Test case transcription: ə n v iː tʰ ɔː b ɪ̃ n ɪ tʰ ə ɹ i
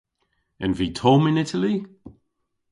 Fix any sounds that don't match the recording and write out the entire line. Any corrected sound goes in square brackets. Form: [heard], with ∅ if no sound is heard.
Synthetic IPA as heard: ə n v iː tʰ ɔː [m] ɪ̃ n ɪ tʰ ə [l] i